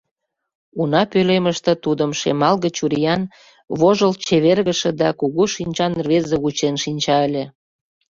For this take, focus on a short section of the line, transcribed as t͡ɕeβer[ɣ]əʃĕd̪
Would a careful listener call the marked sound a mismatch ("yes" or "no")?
no